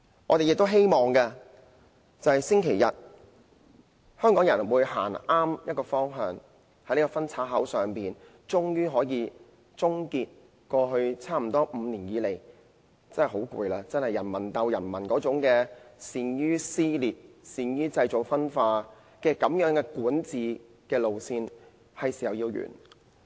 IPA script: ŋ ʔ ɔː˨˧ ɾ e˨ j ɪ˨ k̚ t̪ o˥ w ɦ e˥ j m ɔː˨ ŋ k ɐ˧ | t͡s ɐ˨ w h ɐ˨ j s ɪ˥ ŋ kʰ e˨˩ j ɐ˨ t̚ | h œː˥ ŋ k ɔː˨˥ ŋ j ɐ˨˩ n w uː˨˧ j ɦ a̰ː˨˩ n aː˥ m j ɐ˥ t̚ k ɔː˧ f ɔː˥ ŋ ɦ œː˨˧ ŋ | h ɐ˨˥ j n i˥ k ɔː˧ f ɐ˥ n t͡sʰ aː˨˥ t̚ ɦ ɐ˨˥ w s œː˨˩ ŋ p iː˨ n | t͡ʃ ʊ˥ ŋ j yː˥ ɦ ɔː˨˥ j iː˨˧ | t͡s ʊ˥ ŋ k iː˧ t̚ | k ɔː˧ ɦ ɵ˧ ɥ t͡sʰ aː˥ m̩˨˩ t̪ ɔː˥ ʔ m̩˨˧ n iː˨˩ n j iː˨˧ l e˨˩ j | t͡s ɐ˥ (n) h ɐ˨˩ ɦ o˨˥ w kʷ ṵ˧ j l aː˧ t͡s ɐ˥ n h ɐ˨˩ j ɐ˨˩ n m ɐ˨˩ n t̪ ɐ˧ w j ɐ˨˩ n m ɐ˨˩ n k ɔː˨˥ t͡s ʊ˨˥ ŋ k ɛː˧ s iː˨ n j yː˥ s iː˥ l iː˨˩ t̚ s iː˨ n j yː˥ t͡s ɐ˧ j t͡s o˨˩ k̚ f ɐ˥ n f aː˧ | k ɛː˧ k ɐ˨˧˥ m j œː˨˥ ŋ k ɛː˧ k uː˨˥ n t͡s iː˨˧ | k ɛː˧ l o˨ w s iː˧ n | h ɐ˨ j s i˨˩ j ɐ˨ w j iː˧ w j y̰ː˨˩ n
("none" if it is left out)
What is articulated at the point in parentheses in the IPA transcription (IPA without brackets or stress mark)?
n